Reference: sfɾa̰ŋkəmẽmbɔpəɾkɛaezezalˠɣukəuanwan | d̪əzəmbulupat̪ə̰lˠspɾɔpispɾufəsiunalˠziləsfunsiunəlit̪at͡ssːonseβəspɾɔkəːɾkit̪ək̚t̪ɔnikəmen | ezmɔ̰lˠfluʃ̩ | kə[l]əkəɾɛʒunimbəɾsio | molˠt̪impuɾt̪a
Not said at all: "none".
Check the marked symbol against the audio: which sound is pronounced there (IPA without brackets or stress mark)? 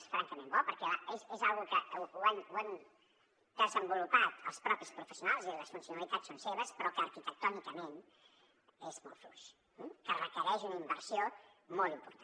r